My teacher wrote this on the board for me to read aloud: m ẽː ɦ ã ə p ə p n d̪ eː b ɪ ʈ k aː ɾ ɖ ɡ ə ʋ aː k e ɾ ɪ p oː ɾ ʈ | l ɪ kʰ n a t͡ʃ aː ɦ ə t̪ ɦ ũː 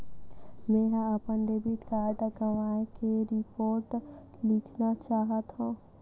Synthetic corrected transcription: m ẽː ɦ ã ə p ə n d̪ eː b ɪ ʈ k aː ɾ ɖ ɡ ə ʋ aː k e ɾ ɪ p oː ɾ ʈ | l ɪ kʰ n a t͡ʃ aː ɦ ə t̪ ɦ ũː